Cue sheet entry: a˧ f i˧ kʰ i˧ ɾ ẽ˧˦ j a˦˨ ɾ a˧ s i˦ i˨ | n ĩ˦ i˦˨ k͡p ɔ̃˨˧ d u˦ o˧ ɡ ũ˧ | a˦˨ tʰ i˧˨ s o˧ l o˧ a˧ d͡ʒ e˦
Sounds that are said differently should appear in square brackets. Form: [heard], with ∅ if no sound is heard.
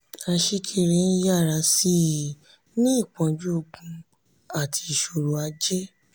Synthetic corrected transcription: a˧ [ʃ] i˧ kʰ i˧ ɾ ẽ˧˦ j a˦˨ ɾ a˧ s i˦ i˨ | n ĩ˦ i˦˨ k͡p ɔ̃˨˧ [d͡ʒ] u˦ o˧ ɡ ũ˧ | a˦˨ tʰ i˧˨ [ʃ] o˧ [ɾ] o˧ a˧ d͡ʒ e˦